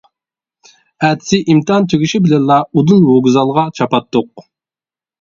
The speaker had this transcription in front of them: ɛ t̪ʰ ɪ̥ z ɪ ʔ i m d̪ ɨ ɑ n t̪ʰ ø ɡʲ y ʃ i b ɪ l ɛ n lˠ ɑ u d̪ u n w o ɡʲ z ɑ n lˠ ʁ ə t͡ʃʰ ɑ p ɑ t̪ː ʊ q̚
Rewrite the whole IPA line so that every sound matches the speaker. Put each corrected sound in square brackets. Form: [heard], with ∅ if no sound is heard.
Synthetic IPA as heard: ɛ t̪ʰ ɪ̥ [s] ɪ ʔ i m [t̪] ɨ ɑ n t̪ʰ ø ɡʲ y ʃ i b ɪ l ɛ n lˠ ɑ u d̪ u n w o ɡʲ z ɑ [∅] lˠ ʁ [ɑ] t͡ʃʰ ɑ p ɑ t̪ː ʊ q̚